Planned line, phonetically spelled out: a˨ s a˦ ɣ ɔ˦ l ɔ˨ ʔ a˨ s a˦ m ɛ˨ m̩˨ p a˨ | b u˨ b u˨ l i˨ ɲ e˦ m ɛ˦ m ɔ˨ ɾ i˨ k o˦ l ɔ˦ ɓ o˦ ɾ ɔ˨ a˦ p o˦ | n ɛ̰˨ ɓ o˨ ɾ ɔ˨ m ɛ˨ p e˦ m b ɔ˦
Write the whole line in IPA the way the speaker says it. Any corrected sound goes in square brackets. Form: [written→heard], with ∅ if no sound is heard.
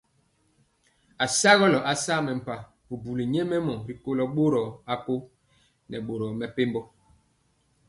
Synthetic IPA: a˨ s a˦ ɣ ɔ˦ l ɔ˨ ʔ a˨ s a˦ m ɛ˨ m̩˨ p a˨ | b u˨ b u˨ l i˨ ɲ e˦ m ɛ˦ m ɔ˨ ɾ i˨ k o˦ l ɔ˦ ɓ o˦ ɾ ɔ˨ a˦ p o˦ | n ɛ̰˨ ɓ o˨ ɾ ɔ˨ m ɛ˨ p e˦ m b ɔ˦